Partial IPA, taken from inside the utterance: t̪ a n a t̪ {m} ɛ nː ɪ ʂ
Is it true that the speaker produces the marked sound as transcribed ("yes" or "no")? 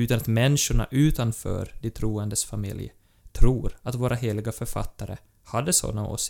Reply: yes